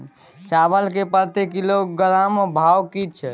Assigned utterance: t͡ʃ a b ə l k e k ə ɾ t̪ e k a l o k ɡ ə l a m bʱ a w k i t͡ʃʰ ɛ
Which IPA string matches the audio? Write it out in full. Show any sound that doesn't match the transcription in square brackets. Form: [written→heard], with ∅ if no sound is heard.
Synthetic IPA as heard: t͡ʃ a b ə l k e [k→p] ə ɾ t̪ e k [a→i] l o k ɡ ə l a m bʱ a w k i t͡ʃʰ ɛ